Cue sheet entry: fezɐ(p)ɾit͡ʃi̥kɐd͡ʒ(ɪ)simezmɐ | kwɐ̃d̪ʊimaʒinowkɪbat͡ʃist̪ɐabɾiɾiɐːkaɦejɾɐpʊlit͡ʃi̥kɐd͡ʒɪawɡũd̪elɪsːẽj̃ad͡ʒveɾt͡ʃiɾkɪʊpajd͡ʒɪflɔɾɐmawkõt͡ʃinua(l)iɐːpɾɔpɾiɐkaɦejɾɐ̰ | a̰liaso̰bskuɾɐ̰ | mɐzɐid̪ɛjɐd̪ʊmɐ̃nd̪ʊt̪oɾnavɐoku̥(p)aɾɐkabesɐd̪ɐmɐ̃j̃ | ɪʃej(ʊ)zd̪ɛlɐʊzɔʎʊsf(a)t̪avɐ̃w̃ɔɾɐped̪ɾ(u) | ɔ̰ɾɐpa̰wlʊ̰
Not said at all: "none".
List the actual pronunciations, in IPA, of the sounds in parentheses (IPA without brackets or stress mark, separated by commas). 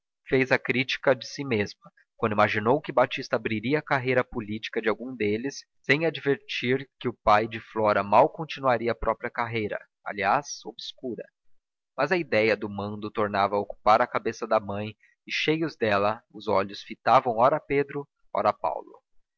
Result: k, ɪ, ɾ, p, ʊ, i, ʊ